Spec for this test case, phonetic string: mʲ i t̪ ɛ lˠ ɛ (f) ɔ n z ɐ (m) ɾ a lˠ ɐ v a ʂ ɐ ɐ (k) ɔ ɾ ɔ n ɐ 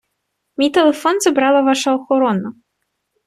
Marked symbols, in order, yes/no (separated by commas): yes, no, no